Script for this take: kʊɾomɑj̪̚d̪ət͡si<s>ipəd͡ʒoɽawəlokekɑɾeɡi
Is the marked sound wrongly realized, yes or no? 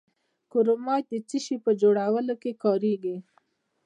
yes